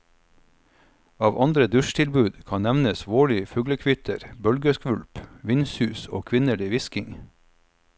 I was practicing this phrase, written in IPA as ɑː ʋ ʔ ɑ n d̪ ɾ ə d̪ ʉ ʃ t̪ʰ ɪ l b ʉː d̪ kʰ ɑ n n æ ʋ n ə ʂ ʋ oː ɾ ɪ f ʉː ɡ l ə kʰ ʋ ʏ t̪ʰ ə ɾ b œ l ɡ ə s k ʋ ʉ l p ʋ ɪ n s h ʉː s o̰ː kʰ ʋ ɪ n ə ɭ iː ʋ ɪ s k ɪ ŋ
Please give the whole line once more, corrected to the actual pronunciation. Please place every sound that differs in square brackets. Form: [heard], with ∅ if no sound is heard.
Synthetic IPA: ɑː ʋ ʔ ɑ n d̪ ɾ ə d̪ ʉ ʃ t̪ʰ ɪ l b ʉː d̪ kʰ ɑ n n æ ʋ n ə [s] ʋ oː [ɭ] ɪ f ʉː ɡ l ə kʰ ʋ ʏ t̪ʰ ə ɾ b œ l ɡ ə s k ʋ ʉ l p ʋ ɪ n s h ʉː s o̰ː kʰ ʋ ɪ n ə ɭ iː ʋ ɪ s k ɪ ŋ